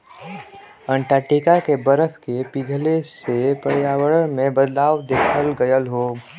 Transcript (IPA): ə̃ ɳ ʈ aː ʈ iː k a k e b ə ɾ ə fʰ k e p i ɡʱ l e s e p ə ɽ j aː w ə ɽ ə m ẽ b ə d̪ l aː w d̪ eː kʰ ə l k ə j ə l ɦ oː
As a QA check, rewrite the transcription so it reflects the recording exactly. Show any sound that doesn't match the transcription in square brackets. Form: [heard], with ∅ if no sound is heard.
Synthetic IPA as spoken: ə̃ ɳ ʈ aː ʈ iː k a k e b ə ɾ ə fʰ k e p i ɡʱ l e s e p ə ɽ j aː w ə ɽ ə m ẽ b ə d̪ l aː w d̪ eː kʰ ə l [ɡ] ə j ə l ɦ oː